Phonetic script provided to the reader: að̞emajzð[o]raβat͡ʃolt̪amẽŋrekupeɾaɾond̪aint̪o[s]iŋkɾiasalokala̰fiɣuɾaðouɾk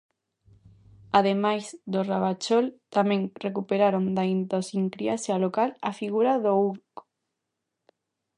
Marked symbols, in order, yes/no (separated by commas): yes, yes